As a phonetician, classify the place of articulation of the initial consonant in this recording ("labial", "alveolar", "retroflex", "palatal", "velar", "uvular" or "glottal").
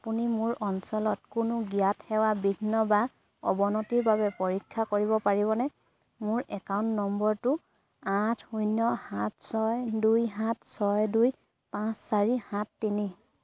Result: labial